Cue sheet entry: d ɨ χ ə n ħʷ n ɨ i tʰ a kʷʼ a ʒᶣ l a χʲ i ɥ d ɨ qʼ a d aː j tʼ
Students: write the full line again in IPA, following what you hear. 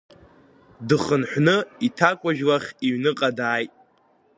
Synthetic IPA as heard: d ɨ χ ə n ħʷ n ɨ i tʰ a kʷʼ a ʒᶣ l a χʲ i ɥ n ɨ qʼ a d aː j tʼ